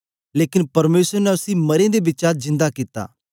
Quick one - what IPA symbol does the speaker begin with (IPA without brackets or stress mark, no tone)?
l